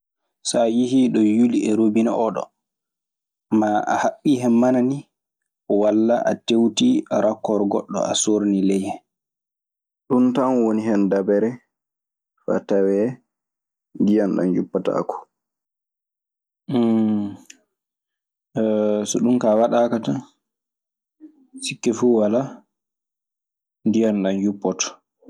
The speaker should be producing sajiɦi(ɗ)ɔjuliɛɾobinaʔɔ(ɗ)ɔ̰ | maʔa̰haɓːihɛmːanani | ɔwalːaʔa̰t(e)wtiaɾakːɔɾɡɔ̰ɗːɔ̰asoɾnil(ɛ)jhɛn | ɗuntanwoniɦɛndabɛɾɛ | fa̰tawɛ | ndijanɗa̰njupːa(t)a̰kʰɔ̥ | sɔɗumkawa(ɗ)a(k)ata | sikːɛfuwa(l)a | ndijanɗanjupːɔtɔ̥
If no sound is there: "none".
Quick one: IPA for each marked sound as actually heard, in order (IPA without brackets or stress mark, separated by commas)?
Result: ɗ, ɗ, e, ɛ, t, ɗ, k, l